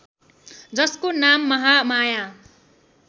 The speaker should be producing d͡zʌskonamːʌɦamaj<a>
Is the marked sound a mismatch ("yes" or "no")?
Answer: no